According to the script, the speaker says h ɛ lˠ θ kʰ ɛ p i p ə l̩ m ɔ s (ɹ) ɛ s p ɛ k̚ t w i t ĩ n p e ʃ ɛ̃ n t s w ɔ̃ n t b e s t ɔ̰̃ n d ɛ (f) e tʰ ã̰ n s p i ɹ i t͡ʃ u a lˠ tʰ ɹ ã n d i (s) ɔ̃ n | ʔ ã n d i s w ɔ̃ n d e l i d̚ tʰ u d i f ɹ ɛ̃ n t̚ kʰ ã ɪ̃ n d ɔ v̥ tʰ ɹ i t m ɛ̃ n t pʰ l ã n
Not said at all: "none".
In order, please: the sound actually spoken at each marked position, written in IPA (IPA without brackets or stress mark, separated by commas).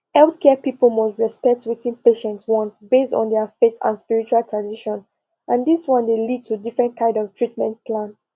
ɹ, f, ʃ